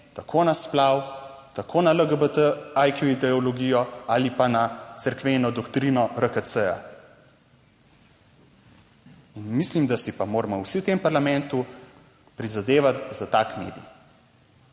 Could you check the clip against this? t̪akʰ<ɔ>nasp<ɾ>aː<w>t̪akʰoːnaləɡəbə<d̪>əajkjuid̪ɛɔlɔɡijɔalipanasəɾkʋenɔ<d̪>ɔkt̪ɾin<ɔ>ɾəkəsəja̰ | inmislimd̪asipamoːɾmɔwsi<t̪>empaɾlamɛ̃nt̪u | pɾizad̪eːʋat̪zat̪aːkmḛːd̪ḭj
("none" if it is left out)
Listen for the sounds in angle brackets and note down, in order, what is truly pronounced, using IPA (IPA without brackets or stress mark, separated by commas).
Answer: o, l, w, t̪, d̪, ɔ, t̪